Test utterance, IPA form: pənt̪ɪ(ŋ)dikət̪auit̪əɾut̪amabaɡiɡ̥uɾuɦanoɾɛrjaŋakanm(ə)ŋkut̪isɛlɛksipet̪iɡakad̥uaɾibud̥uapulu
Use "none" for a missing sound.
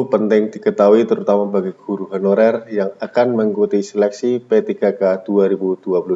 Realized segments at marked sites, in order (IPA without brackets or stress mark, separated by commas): ŋ, ə